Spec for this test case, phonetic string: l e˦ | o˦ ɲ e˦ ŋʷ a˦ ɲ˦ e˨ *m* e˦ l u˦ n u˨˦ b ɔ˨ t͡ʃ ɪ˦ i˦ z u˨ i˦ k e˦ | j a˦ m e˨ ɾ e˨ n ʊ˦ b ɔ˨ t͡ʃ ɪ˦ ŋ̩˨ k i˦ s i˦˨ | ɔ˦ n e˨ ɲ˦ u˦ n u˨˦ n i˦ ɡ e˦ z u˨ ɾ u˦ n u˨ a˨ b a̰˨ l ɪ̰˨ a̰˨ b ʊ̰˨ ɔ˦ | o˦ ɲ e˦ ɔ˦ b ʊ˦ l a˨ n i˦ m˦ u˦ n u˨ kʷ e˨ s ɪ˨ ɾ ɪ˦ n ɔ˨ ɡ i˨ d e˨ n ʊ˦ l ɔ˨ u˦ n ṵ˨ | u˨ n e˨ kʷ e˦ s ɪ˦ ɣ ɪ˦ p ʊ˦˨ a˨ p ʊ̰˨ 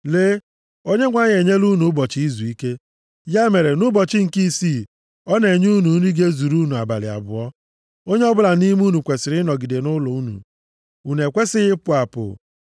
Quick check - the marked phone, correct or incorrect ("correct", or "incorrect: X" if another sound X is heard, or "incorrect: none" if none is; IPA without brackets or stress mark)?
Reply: incorrect: ɲ